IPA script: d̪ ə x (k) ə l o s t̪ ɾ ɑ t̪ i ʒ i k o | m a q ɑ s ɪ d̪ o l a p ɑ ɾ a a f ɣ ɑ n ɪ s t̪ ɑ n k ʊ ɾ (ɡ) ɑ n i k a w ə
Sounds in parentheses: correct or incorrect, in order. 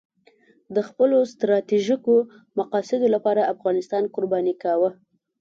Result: incorrect, incorrect

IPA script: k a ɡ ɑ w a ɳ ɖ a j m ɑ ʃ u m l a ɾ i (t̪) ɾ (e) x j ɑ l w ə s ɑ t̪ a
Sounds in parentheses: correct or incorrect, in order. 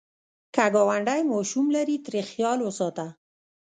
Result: correct, correct

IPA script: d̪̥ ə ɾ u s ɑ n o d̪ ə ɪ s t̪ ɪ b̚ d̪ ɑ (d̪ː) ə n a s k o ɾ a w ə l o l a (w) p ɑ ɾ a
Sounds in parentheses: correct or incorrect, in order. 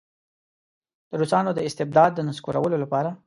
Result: correct, incorrect

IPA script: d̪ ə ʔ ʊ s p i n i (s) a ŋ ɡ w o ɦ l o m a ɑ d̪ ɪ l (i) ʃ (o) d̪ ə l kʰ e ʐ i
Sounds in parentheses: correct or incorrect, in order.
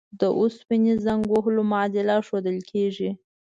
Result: incorrect, incorrect, correct

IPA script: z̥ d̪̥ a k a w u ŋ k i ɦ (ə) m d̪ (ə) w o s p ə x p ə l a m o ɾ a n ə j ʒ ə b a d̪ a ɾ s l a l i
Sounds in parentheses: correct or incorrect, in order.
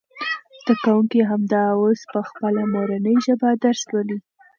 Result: incorrect, incorrect

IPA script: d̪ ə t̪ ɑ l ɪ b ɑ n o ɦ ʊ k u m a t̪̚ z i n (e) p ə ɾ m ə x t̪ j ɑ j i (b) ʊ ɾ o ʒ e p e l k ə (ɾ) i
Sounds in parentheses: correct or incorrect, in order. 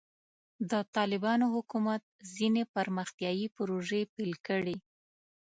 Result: correct, incorrect, incorrect

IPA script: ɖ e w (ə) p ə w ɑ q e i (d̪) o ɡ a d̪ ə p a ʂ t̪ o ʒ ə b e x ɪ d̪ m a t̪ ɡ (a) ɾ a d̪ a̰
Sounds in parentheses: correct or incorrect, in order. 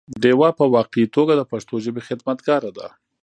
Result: incorrect, incorrect, incorrect

